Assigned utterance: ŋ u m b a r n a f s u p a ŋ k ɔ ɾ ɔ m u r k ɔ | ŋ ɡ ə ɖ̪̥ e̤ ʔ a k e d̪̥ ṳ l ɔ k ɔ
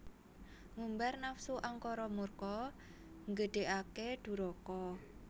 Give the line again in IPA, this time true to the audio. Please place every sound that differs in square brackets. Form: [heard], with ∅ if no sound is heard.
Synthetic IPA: ŋ u m b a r n a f s u [ʔ] a ŋ k ɔ ɾ ɔ m u r k ɔ | ŋ ɡ ə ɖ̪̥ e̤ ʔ a k e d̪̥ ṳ [ɾ] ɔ k ɔ